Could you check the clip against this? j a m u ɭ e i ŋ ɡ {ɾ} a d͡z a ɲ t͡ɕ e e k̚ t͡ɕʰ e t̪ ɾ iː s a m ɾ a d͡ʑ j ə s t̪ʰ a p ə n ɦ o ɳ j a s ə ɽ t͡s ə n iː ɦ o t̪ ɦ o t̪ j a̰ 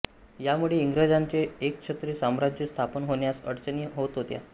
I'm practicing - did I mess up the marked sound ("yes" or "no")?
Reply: no